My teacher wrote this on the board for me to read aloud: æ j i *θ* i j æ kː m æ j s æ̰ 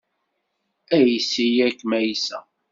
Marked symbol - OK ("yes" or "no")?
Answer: no